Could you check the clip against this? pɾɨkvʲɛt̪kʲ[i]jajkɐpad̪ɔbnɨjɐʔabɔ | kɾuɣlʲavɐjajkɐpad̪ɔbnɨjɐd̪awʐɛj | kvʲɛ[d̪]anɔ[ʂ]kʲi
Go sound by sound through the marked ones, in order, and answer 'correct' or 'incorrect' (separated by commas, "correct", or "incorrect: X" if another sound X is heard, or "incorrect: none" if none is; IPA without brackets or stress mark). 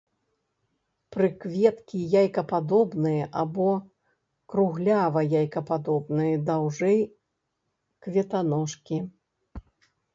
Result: correct, incorrect: t̪, correct